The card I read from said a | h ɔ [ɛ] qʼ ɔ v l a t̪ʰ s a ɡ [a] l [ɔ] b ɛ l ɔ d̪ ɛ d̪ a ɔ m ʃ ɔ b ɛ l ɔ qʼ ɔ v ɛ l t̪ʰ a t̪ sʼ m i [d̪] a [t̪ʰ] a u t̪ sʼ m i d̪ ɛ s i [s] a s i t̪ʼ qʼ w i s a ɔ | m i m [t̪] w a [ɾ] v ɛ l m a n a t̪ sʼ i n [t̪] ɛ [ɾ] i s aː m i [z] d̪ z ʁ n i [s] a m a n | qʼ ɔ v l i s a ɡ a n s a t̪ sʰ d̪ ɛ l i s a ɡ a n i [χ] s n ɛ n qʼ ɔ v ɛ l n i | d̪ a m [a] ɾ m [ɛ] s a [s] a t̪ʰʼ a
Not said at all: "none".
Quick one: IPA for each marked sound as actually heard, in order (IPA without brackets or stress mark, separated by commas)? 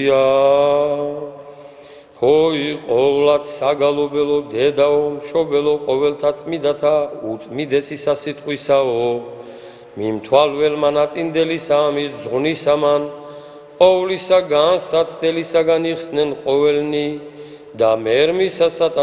i, a, ɔ, d̪, t̪ʰ, s, t̪ʰ, l, d̪, l, s, s, χ, ɛ, i, s